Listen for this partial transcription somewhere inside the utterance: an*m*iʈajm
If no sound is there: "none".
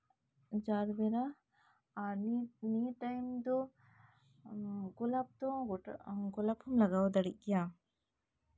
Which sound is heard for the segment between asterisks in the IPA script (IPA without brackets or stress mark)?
n